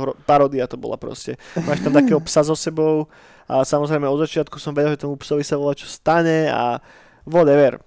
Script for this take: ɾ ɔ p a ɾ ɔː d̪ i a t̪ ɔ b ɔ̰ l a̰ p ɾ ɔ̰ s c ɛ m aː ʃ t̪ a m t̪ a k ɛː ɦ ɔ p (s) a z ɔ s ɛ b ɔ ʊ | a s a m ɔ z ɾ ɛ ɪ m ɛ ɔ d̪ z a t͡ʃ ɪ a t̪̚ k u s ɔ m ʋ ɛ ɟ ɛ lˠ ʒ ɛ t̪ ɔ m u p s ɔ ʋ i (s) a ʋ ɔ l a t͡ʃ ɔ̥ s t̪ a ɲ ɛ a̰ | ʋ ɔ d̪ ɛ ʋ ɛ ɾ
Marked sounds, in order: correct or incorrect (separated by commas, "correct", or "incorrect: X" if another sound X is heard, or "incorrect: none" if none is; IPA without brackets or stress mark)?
correct, correct